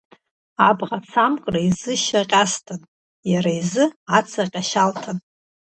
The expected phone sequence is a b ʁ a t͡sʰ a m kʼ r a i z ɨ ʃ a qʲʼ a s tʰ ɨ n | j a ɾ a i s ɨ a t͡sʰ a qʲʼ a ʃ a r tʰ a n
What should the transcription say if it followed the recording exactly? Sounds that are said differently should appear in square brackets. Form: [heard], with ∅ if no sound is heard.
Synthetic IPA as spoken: a b ʁ a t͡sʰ a m kʼ r a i z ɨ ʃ a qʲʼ a s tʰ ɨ n | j a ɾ a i [z] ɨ a t͡sʰ a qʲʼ a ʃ a [l] tʰ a n